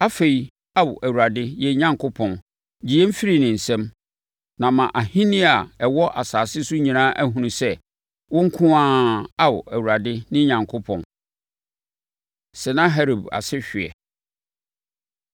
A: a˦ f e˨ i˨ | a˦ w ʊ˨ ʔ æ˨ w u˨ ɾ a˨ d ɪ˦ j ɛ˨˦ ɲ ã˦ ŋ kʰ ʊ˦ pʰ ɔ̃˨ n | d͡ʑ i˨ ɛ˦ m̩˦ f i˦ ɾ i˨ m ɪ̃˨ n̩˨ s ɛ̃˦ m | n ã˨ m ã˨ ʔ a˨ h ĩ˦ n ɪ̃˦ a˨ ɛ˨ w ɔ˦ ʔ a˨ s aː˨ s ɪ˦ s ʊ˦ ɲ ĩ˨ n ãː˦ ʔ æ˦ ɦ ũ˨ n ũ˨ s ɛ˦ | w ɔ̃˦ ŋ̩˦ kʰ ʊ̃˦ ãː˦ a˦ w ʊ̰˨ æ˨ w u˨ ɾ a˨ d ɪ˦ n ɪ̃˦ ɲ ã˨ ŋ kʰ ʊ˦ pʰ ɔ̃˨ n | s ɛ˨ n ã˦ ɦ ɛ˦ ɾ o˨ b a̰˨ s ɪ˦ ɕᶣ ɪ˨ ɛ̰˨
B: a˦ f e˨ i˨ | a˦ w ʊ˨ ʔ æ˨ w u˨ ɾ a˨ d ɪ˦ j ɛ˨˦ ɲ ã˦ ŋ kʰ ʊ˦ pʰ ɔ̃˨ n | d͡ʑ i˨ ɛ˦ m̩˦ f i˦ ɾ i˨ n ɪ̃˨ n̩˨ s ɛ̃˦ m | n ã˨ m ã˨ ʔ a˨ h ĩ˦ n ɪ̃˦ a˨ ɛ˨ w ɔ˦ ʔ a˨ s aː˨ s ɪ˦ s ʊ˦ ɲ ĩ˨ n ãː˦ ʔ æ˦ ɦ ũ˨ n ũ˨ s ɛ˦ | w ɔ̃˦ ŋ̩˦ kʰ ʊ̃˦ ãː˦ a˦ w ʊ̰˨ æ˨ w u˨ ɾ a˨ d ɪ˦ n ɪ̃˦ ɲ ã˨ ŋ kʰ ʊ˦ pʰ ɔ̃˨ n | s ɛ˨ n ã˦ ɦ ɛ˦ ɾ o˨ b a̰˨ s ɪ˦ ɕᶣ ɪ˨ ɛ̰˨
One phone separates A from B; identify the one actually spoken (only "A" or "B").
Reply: B